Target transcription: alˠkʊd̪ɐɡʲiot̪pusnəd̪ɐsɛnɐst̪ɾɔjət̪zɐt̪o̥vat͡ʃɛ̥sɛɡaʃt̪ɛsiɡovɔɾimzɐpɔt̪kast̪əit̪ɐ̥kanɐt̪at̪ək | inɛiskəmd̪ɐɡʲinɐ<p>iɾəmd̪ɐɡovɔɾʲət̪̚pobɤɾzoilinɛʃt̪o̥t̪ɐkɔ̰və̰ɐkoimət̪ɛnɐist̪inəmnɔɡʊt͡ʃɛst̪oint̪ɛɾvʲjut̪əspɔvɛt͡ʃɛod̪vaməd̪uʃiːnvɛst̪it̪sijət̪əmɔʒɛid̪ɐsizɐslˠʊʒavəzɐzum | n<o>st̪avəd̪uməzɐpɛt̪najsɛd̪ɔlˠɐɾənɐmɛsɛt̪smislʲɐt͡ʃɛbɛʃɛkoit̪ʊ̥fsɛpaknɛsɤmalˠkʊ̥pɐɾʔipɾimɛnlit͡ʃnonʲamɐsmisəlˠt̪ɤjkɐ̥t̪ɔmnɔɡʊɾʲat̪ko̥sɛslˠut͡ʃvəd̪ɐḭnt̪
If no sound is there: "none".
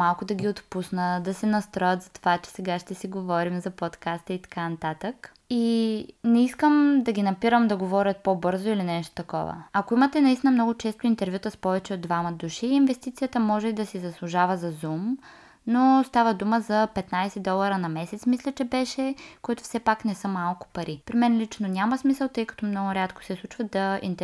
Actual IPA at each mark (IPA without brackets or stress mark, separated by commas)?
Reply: p, o